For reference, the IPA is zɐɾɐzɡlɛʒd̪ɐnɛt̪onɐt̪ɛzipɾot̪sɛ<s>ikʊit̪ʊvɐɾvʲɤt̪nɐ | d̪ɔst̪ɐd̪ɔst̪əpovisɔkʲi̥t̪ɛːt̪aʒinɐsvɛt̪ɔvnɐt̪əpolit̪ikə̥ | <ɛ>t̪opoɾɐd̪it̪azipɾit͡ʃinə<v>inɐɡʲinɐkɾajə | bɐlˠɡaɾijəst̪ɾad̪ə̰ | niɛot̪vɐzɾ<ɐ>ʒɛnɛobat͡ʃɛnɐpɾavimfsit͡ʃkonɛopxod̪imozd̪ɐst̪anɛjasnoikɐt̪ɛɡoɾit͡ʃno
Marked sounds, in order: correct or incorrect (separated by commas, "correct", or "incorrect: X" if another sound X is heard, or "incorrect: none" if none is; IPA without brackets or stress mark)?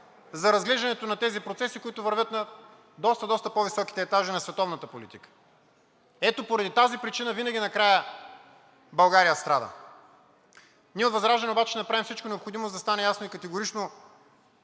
correct, correct, correct, incorrect: a